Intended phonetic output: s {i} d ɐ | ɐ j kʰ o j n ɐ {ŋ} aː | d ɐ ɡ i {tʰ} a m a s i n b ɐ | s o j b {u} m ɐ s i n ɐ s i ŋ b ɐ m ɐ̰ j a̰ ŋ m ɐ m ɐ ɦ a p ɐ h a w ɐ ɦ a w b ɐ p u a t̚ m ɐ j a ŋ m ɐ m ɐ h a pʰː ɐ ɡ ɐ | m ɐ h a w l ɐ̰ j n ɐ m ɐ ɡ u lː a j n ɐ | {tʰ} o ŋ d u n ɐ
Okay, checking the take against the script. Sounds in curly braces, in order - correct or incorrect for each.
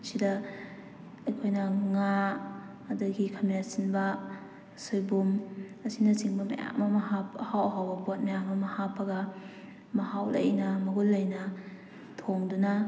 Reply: correct, correct, incorrect: kʰ, correct, correct

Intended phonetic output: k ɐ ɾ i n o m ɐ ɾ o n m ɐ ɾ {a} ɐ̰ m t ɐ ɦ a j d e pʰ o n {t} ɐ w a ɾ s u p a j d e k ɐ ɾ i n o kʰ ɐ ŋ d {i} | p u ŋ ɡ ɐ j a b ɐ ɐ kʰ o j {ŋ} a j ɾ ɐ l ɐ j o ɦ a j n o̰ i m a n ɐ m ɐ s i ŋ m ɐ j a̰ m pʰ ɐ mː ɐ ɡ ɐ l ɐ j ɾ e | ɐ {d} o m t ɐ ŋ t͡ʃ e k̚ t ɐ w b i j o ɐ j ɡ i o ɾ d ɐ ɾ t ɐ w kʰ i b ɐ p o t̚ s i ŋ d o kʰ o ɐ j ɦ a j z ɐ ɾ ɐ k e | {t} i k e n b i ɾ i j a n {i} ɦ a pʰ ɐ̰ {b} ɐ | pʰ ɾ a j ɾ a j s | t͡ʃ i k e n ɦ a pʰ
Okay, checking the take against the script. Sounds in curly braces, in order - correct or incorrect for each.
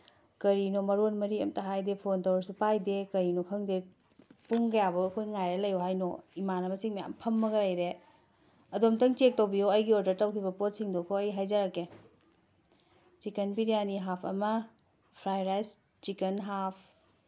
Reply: incorrect: i, correct, incorrect: e, correct, correct, incorrect: t͡ʃ, correct, incorrect: m

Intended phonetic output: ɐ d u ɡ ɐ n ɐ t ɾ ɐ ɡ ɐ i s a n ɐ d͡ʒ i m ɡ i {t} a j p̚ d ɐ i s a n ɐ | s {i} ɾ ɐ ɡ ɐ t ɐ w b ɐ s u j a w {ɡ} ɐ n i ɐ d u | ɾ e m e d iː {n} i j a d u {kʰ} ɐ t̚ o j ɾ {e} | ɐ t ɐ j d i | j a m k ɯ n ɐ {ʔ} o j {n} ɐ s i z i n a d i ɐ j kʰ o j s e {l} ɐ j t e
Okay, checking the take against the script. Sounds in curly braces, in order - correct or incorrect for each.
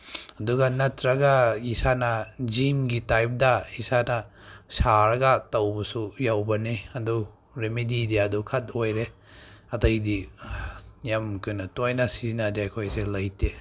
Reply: correct, incorrect: a, incorrect: b, incorrect: d, correct, correct, incorrect: t, correct, correct

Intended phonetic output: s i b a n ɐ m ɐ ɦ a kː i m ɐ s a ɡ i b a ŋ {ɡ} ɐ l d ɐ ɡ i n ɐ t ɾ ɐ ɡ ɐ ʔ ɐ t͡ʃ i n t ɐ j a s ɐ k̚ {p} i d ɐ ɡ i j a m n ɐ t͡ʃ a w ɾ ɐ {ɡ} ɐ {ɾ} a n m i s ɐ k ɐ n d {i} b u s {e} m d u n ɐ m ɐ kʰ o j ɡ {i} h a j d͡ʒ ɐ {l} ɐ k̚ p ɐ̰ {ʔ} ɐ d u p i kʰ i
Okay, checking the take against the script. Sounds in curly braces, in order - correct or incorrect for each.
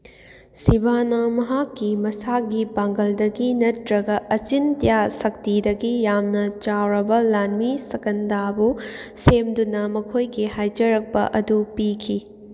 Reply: correct, incorrect: t, incorrect: b, incorrect: l, incorrect: a, correct, correct, incorrect: ɾ, correct

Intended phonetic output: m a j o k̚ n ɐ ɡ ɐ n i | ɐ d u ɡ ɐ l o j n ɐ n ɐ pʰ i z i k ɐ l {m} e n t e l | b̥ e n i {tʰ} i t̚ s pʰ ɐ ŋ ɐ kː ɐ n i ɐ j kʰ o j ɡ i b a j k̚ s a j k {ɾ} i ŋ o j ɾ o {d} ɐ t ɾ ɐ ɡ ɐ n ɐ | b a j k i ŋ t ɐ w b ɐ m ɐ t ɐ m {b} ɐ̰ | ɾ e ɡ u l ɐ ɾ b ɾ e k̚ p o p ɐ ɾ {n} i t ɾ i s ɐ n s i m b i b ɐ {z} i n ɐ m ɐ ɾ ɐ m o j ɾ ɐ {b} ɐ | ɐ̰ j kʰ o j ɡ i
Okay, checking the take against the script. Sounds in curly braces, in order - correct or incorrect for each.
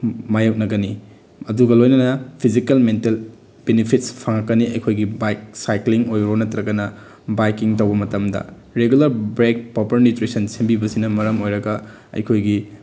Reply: correct, incorrect: pʰ, incorrect: l, incorrect: n, incorrect: d, correct, incorrect: s, incorrect: ɡ

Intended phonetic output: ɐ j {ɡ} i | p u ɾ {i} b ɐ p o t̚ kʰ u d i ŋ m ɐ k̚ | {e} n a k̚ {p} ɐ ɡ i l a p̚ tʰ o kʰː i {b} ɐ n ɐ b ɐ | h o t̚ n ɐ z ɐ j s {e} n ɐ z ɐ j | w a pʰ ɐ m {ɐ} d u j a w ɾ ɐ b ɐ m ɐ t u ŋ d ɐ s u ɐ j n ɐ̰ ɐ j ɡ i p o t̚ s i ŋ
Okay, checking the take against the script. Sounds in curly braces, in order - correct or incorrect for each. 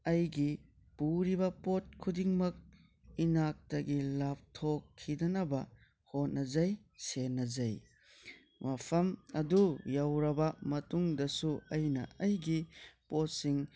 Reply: correct, correct, incorrect: i, incorrect: t, incorrect: d, correct, correct

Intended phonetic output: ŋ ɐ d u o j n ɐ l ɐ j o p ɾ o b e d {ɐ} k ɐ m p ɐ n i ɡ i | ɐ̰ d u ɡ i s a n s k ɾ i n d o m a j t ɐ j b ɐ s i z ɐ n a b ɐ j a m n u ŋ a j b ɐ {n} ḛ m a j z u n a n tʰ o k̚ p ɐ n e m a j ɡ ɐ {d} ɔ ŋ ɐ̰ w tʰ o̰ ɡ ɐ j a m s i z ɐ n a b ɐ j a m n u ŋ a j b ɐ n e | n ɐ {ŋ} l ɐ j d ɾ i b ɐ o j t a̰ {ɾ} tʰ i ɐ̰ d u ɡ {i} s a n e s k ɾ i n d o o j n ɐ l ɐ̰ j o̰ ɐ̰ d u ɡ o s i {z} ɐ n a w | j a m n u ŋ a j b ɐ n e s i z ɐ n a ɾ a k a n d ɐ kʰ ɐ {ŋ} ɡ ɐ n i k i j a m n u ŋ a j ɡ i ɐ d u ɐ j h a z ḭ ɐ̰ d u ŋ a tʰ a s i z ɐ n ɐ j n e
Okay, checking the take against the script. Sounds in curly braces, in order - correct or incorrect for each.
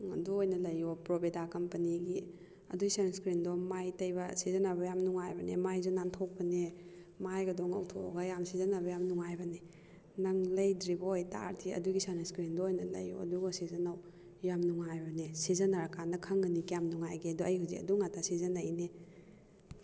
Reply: incorrect: a, correct, correct, correct, correct, correct, correct, correct

